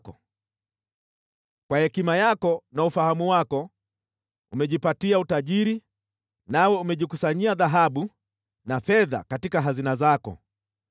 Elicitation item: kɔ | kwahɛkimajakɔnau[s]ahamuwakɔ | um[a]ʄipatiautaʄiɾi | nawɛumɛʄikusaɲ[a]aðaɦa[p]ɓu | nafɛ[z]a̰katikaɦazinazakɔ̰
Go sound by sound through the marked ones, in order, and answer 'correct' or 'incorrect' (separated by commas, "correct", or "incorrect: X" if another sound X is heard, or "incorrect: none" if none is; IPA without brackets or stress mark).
incorrect: f, incorrect: ɛ, incorrect: i, incorrect: none, incorrect: ð